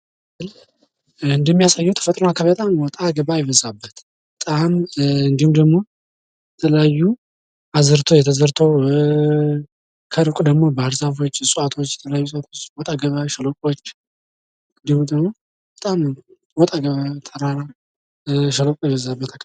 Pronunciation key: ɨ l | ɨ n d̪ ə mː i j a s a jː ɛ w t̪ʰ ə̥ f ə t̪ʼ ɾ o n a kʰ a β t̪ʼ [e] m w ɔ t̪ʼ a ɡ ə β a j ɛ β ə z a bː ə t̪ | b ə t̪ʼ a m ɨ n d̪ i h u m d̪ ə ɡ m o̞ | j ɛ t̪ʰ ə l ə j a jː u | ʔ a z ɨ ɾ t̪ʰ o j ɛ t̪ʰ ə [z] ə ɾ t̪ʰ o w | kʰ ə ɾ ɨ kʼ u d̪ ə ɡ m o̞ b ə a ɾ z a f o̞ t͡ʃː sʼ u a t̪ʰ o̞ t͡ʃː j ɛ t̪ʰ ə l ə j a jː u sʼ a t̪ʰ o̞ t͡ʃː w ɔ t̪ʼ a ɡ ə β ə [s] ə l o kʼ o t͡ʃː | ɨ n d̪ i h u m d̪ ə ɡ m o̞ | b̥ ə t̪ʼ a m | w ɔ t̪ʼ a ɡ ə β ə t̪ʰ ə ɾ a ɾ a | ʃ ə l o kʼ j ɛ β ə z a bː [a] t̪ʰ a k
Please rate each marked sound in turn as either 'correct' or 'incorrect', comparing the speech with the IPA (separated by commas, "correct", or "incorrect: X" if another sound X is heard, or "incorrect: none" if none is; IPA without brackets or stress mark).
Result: incorrect: a, correct, incorrect: ʃ, incorrect: ə